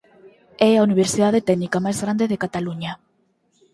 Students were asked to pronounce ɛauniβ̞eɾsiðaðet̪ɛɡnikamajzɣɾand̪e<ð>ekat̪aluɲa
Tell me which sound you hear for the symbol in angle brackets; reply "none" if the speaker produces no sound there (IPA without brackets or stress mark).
ð